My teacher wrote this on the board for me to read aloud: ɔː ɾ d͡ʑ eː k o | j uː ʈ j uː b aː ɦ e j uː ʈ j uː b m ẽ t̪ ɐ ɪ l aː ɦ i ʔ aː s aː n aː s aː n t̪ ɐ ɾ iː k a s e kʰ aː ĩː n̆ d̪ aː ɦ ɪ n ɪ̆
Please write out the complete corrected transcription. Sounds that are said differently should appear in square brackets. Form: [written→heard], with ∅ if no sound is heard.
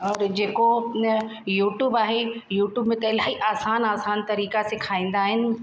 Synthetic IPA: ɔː ɾ d͡ʑ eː k o | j uː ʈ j uː b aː ɦ e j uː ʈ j uː b m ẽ t̪ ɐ ɪ l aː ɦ i ʔ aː s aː n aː s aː n t̪ ɐ ɾ iː k a s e kʰ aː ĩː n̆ d̪ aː ɦ ɪ n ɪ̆